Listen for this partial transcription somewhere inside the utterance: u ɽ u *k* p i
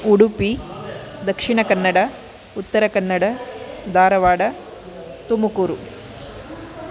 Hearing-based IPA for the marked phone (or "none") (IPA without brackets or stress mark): none